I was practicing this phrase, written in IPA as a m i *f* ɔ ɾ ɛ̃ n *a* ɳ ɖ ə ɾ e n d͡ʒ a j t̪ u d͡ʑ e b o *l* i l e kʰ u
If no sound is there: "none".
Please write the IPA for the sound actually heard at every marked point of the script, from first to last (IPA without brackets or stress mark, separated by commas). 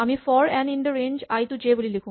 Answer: f, i, l